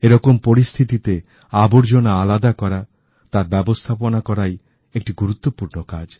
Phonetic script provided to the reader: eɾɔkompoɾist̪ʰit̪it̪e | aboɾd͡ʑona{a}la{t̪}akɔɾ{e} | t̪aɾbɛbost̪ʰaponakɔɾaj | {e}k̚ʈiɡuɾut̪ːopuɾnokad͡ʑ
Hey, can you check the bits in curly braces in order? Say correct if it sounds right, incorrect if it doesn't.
correct, incorrect: d̪, incorrect: a, correct

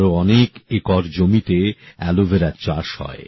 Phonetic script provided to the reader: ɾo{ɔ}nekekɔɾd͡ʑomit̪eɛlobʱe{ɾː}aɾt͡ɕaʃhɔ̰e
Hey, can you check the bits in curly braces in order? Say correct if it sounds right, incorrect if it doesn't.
correct, incorrect: ɾ

